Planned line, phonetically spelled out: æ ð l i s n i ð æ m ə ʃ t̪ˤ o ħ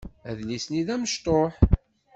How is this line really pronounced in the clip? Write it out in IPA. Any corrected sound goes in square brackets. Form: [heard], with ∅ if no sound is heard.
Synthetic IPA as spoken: æ ð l i s n i ð æ m ə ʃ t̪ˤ o ħ